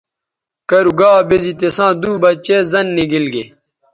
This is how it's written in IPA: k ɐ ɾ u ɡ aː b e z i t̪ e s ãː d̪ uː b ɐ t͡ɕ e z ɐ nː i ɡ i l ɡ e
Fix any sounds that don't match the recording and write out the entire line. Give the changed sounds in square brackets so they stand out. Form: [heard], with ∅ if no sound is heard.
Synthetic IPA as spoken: k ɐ ɾ u ɡ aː b e z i t̪ e s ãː d̪ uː b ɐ t͡ɕ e z ɐ nː i ɡ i l ɡ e